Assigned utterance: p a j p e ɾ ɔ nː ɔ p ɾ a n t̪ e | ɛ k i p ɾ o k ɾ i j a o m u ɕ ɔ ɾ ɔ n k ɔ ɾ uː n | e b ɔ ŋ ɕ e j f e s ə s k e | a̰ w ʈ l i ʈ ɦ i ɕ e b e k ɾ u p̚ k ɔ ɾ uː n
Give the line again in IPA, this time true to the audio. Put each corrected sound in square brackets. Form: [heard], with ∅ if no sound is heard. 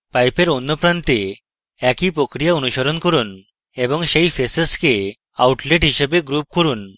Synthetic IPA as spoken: p a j p e ɾ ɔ nː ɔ p ɾ a n t̪ e | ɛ k i p ɾ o k ɾ i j a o [n] u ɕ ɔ ɾ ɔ n k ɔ ɾ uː n | e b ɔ ŋ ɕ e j f e s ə s k e | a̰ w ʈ l [e] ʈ ɦ i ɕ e b e [ɡ] ɾ u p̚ k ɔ ɾ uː n